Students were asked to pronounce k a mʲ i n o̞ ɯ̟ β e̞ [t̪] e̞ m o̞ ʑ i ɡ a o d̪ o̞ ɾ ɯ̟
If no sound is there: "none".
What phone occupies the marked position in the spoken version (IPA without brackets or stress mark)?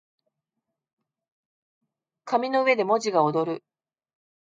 d̪